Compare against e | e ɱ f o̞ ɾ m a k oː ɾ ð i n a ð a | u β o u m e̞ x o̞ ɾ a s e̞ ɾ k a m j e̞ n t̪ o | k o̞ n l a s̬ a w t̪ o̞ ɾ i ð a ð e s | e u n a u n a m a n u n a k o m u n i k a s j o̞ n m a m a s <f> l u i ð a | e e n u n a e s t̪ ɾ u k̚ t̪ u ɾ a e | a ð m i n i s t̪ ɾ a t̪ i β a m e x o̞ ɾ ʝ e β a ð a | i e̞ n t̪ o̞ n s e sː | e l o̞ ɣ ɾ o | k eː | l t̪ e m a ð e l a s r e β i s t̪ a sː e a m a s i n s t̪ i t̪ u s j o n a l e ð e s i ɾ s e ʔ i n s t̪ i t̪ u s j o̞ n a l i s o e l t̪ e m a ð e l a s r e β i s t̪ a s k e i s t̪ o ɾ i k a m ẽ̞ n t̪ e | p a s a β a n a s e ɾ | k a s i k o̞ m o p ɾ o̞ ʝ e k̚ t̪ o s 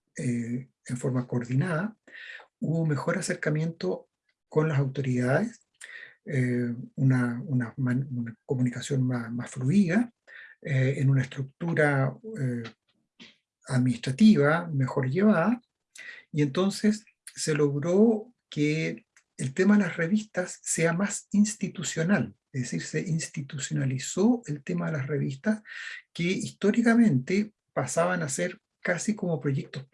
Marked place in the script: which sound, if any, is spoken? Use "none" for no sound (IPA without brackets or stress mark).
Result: f